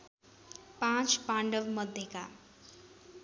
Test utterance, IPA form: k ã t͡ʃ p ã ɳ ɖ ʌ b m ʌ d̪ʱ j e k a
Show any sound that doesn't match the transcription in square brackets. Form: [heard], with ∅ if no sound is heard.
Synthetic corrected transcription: [p] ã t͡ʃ p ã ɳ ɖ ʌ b m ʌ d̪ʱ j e k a